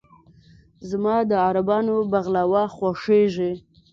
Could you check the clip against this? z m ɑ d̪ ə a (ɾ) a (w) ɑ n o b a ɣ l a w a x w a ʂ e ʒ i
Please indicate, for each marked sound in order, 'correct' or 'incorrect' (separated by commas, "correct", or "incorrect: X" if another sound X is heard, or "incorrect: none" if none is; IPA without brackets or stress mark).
correct, incorrect: b